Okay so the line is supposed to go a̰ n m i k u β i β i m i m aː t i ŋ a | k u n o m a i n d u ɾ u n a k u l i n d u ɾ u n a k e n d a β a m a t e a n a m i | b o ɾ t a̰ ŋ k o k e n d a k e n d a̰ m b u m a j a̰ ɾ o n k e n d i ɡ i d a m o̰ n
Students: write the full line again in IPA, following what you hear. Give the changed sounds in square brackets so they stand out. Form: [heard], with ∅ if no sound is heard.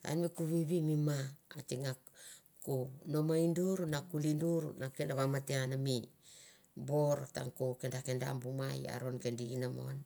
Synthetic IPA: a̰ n m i k u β i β i m i m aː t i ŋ a | k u n o m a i n d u ɾ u n a k u l i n d u ɾ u n a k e n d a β a m a t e a n a m i | b o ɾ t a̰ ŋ k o k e n d a k e n d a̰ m b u m a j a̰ ɾ o n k e n d i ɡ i [n] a m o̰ n

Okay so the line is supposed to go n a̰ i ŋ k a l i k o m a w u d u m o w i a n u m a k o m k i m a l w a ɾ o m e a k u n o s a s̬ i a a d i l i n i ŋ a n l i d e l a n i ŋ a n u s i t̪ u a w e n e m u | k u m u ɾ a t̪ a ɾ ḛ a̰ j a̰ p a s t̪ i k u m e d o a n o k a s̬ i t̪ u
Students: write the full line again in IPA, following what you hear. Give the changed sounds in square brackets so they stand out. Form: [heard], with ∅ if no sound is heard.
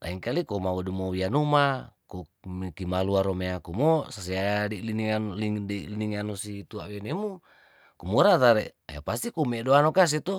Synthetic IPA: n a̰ i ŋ k a l i k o m a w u d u m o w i a n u m a k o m k i m a l [u] a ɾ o m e a k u [m] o s a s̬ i a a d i l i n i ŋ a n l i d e l [i] n i ŋ a n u s i t̪ u a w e n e m u | k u m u ɾ a t̪ a ɾ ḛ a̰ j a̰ p a s t̪ i k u m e d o a n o k a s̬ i t̪ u

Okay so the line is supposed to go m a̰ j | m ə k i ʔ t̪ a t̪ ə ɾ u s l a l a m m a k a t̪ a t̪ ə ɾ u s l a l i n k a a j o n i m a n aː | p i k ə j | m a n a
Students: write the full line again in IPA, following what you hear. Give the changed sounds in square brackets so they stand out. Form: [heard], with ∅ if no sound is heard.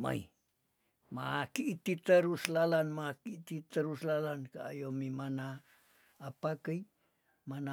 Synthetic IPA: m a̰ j | m [a] k i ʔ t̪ [i] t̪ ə ɾ u s l a l a [n] m a k [i] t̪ [i] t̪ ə ɾ u s l a l [a] n k a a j o [m] i m a n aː | p [a] k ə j | m a n a

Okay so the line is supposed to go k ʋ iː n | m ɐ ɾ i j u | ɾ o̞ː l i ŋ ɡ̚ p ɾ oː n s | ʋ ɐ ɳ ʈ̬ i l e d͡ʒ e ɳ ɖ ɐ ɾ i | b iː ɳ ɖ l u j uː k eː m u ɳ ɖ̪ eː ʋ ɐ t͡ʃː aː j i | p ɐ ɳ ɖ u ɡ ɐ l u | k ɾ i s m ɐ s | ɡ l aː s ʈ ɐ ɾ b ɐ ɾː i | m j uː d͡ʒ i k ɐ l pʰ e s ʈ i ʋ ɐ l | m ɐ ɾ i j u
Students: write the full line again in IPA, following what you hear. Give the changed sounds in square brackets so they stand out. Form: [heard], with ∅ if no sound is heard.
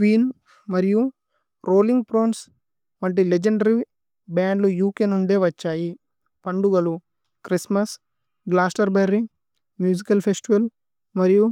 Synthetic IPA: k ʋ iː n | m ɐ ɾ i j u | ɾ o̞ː l i ŋ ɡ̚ p ɾ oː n s | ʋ ɐ ɳ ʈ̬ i l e d͡ʒ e ɳ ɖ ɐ ɾ i | b [aː] ɳ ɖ l u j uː k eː [n] u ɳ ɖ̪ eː ʋ ɐ t͡ʃː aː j i | p ɐ ɳ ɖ u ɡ ɐ l u | k ɾ i s m ɐ s | ɡ l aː s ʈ ɐ ɾ b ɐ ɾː i | m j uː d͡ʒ i k ɐ l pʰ e s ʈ i ʋ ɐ l | m ɐ ɾ i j u

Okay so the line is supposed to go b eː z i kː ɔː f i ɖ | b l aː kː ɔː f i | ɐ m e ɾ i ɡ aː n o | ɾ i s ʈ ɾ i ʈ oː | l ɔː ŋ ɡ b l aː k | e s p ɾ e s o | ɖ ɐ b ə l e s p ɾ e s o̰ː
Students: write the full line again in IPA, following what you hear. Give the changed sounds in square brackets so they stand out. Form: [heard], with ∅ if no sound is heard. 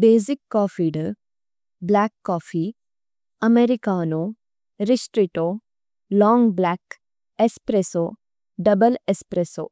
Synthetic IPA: b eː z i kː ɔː f i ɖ | b l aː kː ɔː f i | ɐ m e ɾ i [k] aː n o | ɾ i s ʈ ɾ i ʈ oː | l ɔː ŋ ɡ b l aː k | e s p ɾ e s o | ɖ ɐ b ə l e s p ɾ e s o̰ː

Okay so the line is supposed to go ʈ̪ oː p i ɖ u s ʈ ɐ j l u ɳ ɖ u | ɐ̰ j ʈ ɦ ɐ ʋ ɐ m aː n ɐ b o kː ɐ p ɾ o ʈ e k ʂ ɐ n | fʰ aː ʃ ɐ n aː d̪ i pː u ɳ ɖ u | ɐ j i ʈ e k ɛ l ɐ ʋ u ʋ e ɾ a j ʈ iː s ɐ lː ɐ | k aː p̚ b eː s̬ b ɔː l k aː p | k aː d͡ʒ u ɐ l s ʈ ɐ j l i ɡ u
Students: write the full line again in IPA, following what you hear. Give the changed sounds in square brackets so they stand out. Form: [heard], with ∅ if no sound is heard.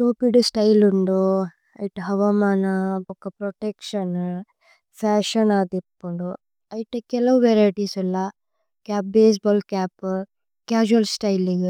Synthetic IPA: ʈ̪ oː p i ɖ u s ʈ ɐ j l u ɳ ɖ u | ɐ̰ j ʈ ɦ ɐ ʋ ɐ m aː n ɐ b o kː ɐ p ɾ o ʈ e k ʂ ɐ n | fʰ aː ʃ ɐ n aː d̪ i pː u ɳ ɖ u | ɐ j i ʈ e k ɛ l ɐ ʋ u ʋ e ɾ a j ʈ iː s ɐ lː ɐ | k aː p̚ b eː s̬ b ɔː l k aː p | k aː d͡ʒ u ɐ l s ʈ ɐ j l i ɡ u

